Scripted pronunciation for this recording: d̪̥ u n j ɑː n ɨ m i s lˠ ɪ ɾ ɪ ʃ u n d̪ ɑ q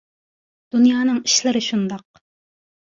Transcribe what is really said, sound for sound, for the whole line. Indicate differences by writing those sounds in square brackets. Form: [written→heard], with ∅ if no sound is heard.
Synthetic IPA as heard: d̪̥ u n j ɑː n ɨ [m→ŋ] i [s→ʃ] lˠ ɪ ɾ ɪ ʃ u n d̪ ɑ q

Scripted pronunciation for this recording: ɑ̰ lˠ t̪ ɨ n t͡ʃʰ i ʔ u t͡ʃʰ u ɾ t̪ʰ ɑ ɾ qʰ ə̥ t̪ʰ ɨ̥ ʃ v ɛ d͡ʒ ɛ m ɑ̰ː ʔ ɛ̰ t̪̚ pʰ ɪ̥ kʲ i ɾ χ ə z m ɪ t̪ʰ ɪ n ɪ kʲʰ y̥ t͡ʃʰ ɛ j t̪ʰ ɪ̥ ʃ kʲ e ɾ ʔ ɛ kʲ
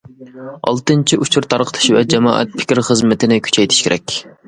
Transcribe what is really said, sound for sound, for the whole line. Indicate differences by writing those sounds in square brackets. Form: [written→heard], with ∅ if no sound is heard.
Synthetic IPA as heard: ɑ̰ lˠ t̪ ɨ n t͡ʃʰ i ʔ u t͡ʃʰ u ɾ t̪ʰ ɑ ɾ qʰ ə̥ t̪ʰ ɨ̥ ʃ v ɛ d͡ʒ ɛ m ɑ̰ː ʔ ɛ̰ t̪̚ pʰ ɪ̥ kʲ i ɾ χ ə z m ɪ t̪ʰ ɪ n ɪ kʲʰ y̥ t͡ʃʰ ɛ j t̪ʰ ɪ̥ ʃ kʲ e ɾ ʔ ɛ kʲ

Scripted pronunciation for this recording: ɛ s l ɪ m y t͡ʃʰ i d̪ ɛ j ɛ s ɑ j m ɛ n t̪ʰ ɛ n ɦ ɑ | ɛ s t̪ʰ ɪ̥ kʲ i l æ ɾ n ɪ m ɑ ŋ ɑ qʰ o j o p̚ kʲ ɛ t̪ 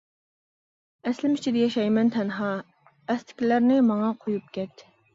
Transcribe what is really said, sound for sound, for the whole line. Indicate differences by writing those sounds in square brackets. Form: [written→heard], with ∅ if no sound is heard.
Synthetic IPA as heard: ɛ s l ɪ m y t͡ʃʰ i d̪ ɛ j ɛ [s→ʃ] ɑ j m ɛ n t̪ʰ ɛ n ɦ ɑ | ɛ s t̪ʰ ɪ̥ kʲ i l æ ɾ n ɪ m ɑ ŋ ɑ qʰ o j [o→u] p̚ kʲ ɛ t̪

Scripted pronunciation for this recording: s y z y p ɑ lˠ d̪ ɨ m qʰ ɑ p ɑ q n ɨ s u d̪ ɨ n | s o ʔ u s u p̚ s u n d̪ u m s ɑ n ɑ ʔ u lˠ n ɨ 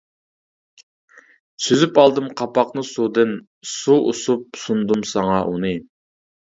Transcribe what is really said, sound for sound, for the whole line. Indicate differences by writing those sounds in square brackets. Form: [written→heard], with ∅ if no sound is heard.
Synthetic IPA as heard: s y z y p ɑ lˠ d̪ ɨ m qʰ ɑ p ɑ q n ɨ s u d̪ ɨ n | s [o→u] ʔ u s u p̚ s u n d̪ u m s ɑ [n→ŋ] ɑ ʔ u [lˠ→∅] n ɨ

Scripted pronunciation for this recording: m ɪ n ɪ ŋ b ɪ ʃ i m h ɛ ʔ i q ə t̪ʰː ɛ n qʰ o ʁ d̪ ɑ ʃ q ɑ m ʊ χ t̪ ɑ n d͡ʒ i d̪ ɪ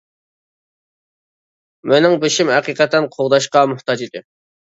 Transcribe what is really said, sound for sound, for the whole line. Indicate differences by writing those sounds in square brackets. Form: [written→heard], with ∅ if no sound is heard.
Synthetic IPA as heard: m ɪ n ɪ ŋ b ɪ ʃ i m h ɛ [ʔ→q] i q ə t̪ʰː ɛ n qʰ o ʁ d̪ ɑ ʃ q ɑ m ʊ [χ→h] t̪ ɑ [n→∅] d͡ʒ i d̪ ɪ

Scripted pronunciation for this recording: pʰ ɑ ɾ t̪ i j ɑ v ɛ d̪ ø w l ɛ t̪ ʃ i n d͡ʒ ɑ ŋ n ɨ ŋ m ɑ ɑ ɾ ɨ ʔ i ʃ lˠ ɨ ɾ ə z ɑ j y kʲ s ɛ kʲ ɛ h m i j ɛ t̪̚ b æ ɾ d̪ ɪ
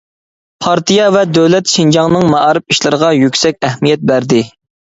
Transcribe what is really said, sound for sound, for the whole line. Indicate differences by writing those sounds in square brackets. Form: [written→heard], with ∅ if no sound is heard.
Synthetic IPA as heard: pʰ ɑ ɾ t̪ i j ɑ v ɛ d̪ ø w l ɛ t̪ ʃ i n d͡ʒ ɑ ŋ n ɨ ŋ m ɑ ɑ ɾ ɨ [ʔ→p] i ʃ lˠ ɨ ɾ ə [z→ʁ] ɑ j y kʲ s ɛ kʲ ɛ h m i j ɛ t̪̚ b æ ɾ d̪ ɪ

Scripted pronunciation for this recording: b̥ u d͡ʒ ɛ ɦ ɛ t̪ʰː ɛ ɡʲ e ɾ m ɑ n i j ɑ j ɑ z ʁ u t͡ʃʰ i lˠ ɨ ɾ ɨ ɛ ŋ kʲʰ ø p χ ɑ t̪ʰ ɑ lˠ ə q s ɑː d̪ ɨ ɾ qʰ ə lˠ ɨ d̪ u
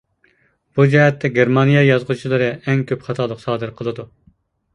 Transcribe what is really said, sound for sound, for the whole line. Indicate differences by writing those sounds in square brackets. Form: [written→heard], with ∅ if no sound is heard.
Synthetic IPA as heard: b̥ u d͡ʒ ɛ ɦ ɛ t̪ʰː ɛ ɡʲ e ɾ m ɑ n i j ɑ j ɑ z ʁ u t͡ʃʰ i lˠ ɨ ɾ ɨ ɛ ŋ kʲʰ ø p χ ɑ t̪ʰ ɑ lˠ ə q s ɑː d̪ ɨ ɾ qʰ ə lˠ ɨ d̪ u

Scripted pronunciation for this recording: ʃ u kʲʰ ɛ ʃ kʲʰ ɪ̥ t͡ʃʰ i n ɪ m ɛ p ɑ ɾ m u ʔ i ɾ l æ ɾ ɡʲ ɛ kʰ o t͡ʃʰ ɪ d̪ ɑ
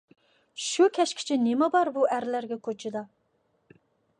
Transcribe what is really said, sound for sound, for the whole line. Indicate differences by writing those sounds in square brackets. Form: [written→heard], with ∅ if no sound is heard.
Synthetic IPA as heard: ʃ u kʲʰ ɛ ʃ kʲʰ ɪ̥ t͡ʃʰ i n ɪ m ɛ [p→b] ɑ ɾ [m→b] u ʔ [i→æ] ɾ l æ ɾ ɡʲ ɛ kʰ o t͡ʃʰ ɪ d̪ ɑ

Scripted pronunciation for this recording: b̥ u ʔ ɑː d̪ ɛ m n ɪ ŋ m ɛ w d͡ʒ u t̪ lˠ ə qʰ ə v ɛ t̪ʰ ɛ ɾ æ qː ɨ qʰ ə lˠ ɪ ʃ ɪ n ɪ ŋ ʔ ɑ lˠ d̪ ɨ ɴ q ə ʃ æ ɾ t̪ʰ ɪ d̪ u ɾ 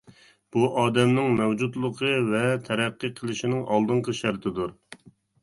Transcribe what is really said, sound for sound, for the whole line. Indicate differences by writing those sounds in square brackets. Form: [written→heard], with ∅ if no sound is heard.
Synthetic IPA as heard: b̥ u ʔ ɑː d̪ ɛ m n ɪ ŋ m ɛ w d͡ʒ u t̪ lˠ ə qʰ ə v ɛ t̪ʰ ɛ ɾ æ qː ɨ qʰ ə lˠ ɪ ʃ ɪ n ɪ ŋ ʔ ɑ lˠ d̪ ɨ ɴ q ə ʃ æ ɾ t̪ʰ ɪ d̪ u ɾ

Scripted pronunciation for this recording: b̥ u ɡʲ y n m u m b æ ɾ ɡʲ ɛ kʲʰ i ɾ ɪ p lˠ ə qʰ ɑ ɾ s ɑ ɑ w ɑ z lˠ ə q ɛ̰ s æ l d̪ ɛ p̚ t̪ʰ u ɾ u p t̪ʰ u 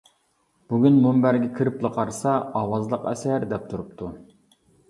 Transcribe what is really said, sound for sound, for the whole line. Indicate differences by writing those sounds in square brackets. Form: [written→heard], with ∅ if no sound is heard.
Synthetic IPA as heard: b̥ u ɡʲ y n m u m b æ ɾ ɡʲ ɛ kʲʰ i ɾ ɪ p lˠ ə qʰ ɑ ɾ s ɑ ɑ w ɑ z lˠ ə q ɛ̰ s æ [l→ɾ] d̪ ɛ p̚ t̪ʰ u ɾ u p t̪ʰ u

